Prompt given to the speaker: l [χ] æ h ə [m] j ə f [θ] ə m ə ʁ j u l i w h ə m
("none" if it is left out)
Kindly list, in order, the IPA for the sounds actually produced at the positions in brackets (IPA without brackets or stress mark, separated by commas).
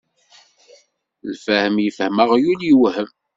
f, m, h